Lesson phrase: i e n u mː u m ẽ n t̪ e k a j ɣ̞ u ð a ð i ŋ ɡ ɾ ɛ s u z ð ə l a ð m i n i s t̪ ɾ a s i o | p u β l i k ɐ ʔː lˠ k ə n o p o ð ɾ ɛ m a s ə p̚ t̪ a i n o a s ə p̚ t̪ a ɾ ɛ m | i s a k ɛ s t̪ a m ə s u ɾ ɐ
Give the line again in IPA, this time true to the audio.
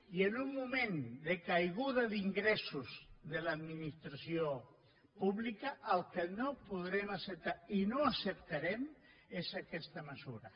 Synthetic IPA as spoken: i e n u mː u m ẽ n d̪ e k a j ɣ̞ u ð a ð i ŋ ɡ ɾ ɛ s u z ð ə l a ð m i n i s t̪ ɾ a s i o | p u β l i k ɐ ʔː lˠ k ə n o p u ð ɾ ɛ m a s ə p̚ t̪ a i n o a s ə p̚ t̪ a ɾ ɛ m | e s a k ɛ s t̪ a m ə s u ɾ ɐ